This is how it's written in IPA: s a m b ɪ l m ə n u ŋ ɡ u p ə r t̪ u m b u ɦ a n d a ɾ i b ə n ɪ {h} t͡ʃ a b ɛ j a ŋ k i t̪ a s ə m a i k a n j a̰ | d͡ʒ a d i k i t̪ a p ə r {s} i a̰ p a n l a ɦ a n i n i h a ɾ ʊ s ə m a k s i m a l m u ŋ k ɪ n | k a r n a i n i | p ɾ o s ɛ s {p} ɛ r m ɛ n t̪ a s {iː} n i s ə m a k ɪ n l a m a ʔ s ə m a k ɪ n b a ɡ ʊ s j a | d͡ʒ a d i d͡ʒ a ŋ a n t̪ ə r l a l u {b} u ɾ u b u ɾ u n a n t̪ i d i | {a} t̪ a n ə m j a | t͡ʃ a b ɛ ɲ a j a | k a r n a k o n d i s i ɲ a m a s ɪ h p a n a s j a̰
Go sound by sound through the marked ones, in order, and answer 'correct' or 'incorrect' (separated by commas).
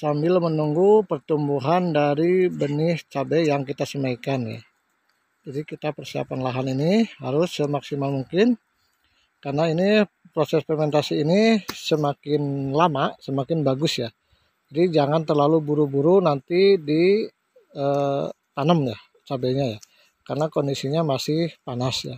correct, correct, correct, correct, correct, incorrect